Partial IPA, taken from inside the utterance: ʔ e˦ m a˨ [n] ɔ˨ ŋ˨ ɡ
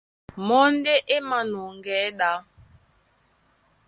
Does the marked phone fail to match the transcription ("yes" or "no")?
no